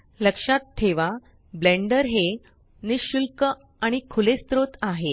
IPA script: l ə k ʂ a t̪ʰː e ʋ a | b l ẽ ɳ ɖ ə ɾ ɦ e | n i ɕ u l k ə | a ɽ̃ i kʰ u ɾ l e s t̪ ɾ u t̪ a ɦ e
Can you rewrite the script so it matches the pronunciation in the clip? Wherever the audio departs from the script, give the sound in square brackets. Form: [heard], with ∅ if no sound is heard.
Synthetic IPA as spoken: l ə k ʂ a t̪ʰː e ʋ a | b l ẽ ɳ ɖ ə ɾ ɦ e | n i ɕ u l k ə | a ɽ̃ i kʰ u [∅] l e s t̪ ɾ [o] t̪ a ɦ e